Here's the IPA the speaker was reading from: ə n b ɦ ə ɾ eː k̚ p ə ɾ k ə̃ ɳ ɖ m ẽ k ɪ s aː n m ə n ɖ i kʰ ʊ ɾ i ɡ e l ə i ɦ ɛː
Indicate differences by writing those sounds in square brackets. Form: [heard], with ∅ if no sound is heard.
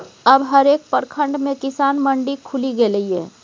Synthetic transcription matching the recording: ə [∅] b ɦ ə ɾ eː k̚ p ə ɾ [kʰ] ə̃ ɳ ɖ m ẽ k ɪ s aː n m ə [ɳ] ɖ i kʰ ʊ [l] i ɡ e l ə i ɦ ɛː